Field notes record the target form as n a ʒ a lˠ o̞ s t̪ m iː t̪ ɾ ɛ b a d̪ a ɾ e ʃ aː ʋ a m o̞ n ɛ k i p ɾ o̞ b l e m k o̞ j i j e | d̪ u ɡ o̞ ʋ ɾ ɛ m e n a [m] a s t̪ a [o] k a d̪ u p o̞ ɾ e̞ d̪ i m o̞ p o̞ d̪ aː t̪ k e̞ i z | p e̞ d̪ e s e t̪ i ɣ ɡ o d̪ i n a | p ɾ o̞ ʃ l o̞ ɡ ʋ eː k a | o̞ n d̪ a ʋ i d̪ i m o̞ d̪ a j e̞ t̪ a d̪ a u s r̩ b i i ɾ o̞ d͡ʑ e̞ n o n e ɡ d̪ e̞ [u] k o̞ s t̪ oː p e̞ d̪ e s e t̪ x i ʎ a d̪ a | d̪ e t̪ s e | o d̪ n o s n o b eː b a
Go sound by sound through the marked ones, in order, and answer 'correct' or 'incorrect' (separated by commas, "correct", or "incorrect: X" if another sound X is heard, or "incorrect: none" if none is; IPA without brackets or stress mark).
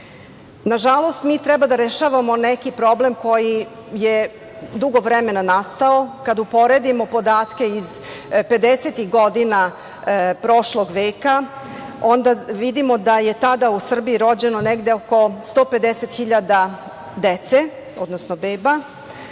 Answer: incorrect: n, correct, incorrect: o